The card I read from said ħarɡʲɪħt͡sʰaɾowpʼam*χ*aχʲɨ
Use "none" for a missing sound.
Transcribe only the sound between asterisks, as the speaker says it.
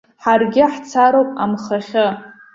χ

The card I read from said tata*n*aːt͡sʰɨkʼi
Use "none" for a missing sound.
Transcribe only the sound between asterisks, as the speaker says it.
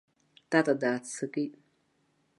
d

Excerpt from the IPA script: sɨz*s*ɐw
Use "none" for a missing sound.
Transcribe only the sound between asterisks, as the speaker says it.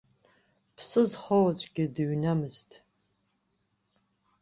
χ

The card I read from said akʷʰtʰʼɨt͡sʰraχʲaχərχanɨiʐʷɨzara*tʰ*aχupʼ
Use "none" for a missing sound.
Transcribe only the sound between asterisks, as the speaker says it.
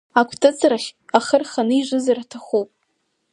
tʰ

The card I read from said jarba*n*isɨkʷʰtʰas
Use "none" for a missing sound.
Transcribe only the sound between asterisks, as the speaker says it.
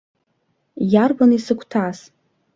n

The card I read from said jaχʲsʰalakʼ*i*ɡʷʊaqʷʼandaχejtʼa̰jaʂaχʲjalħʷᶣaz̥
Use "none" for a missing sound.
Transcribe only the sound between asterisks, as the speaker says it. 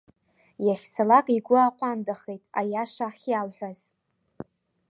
i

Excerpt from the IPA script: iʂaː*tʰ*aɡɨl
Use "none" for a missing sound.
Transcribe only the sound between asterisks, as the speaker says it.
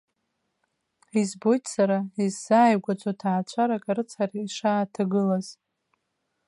tʰ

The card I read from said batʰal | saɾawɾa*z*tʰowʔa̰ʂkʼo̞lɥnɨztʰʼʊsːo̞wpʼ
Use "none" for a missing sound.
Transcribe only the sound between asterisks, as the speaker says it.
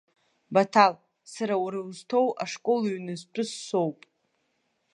z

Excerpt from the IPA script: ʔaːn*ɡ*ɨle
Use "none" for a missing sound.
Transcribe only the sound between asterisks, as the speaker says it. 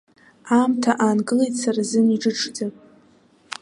ɡ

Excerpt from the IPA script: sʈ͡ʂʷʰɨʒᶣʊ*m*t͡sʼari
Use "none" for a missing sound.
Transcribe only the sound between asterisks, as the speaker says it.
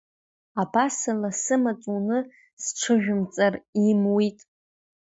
m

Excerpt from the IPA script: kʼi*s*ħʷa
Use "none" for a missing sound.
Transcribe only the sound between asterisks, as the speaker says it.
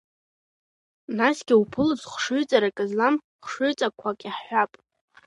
ħ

